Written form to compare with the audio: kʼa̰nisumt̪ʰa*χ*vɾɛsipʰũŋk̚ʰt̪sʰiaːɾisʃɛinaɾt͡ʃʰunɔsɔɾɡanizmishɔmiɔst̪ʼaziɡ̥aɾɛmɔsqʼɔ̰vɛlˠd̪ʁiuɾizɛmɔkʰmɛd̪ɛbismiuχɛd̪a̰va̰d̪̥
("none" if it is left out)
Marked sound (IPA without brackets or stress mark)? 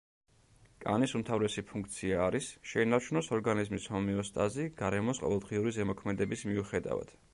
none